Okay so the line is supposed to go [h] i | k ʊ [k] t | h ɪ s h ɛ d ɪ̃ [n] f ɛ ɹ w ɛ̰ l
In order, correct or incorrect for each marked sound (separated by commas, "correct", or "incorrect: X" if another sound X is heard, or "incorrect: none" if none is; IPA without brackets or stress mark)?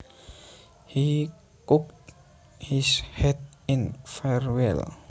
correct, correct, correct